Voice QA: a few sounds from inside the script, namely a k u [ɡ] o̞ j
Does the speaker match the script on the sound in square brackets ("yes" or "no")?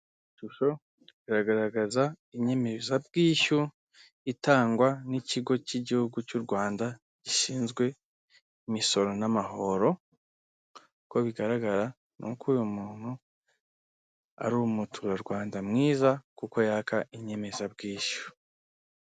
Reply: no